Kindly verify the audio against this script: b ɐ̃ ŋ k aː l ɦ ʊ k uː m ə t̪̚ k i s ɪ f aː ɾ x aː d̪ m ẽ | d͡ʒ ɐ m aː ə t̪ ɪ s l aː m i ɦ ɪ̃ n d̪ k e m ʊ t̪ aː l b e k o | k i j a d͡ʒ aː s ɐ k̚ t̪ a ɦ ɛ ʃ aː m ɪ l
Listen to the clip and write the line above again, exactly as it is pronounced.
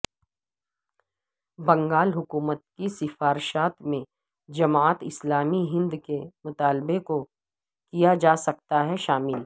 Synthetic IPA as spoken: b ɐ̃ ŋ ɡ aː l ɦ ʊ k uː m ə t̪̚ k i s ɪ f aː ɾ ʃ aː t̪ m ẽ | d͡ʒ ɐ m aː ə t̪ ɪ s l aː m i ɦ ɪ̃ n d̪ k e m ʊ t̪ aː l b e k o | k i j a d͡ʒ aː s ɐ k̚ t̪ a ɦ ɛ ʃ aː m ɪ l

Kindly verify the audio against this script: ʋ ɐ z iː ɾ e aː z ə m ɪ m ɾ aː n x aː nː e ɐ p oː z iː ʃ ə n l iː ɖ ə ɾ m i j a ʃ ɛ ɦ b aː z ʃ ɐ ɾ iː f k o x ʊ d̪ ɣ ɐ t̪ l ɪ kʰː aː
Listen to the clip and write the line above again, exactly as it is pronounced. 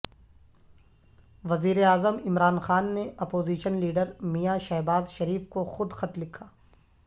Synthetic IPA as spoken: ʋ ɐ z iː ɾ e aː z ə m ɪ m ɾ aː n x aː nː e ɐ p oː z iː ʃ ə n l iː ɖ ə ɾ m i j a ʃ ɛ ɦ b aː z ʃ ɐ ɾ iː f k o x ʊ d̪ x ɐ t̪ l ɪ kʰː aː

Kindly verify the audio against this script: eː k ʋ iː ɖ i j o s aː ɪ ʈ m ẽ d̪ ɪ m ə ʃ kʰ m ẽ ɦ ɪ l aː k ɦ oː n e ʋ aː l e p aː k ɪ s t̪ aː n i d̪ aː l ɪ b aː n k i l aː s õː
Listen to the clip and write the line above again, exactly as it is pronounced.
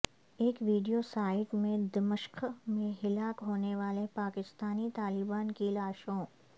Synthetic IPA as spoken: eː k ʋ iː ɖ i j o s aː ɪ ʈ m ẽ d̪ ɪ m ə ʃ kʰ m ẽ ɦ ɪ l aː k ɦ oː n e ʋ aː l e p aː k ɪ s t̪ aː n i t̪ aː l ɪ b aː n k i l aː ʃ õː

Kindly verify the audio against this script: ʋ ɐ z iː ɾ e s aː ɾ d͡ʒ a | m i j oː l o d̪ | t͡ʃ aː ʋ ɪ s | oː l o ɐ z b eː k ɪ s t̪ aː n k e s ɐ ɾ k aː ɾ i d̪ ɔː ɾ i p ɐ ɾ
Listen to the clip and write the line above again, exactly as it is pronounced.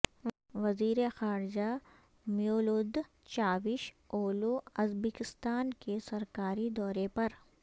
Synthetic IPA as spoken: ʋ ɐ z iː ɾ e x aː ɾ d͡ʒ a | m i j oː l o d̪ | t͡ʃ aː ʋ ɪ ʃ | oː l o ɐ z b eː k ɪ s t̪ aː n k e s ɐ ɾ k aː ɾ i d̪ ɔː ɾ e p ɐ ɾ

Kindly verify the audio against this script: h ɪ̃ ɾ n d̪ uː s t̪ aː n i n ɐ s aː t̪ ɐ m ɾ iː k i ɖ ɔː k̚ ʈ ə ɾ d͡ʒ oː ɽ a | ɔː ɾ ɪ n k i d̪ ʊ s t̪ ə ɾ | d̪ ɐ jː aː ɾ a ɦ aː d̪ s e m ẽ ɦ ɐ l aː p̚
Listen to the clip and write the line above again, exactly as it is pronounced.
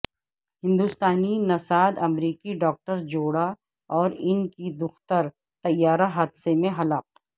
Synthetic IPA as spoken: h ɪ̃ n d̪ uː s t̪ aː n i n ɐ s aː d̪ ɐ m ɾ iː k i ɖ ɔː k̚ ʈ ə ɾ d͡ʒ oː ɽ a | ɔː ɾ ɪ n k i d̪ ʊ x t̪ ə ɾ | t̪ ɐ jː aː ɾ a ɦ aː d̪ s e m ẽ ɦ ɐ l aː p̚

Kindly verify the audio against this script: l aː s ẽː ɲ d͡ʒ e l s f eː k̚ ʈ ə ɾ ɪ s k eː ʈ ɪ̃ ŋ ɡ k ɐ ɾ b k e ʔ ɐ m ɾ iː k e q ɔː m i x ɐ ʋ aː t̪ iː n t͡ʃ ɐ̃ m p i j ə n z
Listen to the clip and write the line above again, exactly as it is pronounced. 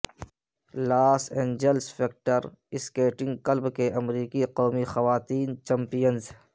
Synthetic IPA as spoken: l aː s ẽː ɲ d͡ʒ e l s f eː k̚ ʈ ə ɾ ɪ s k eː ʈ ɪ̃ ŋ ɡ k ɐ l b k e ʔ ɐ m ɾ iː k i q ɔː m i x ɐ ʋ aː t̪ iː n t͡ʃ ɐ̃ m p i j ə n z

